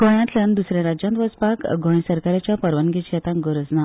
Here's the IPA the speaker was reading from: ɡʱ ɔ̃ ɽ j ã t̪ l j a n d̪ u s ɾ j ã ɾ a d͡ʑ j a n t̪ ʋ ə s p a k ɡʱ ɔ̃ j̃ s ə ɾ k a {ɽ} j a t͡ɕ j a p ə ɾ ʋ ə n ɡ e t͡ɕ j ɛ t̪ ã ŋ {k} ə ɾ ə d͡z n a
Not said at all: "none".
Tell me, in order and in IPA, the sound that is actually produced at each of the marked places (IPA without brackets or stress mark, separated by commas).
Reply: ɾ, ɡ